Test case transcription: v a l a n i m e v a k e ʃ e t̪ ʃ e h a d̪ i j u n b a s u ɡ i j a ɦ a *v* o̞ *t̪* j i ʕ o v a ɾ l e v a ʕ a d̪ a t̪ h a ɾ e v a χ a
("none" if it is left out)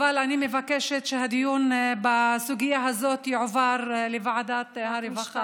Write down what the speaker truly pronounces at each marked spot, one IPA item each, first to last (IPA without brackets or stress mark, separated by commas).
z, t̪